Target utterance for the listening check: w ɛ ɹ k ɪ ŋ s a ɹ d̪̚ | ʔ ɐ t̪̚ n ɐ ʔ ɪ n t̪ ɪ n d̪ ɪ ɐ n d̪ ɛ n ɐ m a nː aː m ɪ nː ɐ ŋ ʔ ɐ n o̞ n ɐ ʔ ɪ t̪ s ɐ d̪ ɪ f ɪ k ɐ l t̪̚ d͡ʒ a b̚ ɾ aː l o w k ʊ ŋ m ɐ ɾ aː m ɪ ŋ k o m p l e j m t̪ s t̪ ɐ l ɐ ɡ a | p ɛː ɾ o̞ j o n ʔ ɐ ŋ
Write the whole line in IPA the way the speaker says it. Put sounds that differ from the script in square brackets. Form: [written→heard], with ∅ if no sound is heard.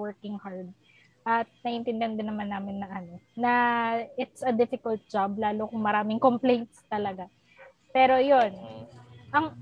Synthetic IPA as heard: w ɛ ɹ k ɪ ŋ [s→h] a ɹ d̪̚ | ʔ ɐ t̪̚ n ɐ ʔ ɪ n t̪ ɪ n d̪ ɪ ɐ n d̪ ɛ n ɐ m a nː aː m ɪ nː ɐ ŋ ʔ ɐ n o̞ n ɐ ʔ ɪ t̪ s ɐ d̪ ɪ f ɪ k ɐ l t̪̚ d͡ʒ a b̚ [ɾ→l] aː l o [w→∅] k ʊ ŋ m ɐ ɾ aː m ɪ ŋ k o m p l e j [m→n] t̪ s t̪ ɐ l ɐ ɡ a | p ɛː ɾ o̞ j o n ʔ ɐ ŋ